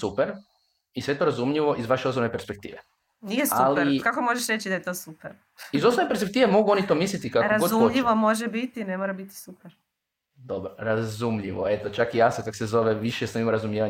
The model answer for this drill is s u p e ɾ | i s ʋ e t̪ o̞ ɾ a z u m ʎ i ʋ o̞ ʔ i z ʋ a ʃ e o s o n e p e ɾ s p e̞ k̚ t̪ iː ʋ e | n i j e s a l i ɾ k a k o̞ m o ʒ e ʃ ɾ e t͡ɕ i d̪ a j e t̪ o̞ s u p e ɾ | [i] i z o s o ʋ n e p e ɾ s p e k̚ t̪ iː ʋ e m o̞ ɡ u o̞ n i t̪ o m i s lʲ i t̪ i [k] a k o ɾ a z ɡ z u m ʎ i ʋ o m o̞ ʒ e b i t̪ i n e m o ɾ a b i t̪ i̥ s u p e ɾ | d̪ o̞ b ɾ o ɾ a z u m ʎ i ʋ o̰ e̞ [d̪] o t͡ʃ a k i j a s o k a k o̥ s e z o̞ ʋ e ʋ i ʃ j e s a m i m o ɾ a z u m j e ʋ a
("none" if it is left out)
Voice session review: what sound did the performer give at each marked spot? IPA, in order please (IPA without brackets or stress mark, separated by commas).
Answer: i, k, t̪